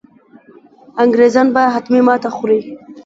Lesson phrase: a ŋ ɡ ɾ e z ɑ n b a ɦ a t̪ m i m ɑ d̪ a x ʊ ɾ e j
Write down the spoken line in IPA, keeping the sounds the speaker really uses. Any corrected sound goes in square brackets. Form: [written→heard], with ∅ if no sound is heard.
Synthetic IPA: a ŋ ɡ ɾ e z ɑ n b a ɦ a t̪ m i m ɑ [d̪→t̪] a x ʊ ɾ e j